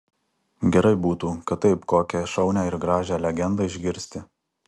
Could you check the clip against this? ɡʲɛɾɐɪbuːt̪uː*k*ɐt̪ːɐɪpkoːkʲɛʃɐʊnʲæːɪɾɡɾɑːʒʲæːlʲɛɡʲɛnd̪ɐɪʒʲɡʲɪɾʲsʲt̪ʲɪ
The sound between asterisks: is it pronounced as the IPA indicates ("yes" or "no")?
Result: yes